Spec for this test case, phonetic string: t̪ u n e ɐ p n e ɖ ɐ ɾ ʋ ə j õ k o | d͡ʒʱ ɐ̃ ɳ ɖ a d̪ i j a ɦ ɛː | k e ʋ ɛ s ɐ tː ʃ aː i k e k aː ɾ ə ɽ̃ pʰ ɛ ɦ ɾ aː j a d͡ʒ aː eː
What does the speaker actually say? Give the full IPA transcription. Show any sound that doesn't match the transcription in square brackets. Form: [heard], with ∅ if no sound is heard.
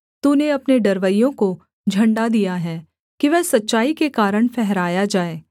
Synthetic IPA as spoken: t̪ u n e ɐ p n e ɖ ɐ ɾ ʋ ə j õ k o | d͡ʒʱ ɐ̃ ɳ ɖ a d̪ i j a ɦ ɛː | k [i] ʋ ɛ s ɐ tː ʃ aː i k e k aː ɾ ə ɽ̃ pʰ ɛ ɦ ɾ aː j a d͡ʒ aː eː